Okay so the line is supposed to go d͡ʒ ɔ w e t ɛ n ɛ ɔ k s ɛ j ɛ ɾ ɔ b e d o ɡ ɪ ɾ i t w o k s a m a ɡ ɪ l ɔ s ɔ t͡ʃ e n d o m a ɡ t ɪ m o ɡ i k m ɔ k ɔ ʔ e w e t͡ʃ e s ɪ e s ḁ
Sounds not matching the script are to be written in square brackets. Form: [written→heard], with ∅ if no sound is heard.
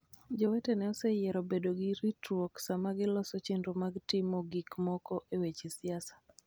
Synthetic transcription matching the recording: d͡ʒ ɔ w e t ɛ n ɛ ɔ [k→∅] s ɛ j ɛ ɾ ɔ b e d o ɡ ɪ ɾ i t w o k s a m a ɡ ɪ l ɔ s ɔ t͡ʃ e n d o m a ɡ t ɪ m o ɡ i k m ɔ k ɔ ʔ e w e t͡ʃ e s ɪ [e→a] s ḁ